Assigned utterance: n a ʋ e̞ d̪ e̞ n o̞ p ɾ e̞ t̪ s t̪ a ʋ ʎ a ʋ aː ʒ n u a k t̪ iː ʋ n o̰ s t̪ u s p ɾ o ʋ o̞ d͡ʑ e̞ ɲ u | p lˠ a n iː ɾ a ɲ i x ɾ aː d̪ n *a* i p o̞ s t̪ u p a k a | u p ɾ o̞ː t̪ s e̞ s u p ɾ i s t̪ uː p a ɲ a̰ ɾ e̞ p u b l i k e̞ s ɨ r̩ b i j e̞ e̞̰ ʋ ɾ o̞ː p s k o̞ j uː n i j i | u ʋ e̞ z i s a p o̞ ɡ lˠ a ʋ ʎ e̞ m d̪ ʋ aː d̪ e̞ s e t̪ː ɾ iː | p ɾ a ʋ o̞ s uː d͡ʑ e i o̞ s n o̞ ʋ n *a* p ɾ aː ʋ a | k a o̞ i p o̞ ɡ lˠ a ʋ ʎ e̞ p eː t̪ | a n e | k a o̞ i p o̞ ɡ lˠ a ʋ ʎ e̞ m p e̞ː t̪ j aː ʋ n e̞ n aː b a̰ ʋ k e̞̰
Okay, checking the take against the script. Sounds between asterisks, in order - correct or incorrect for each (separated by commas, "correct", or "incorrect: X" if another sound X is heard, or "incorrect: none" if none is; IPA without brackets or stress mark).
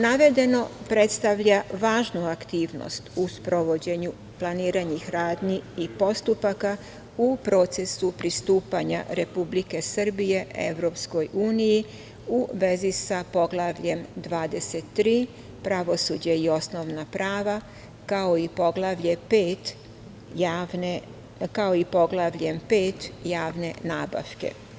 incorrect: i, correct